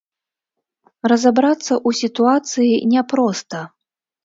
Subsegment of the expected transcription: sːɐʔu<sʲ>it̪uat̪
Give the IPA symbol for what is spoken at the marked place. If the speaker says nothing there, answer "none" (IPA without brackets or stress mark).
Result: sʲ